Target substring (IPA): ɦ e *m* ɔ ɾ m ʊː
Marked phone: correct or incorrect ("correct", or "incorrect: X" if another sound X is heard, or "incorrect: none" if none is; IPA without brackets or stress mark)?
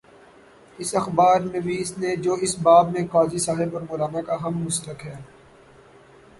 incorrect: b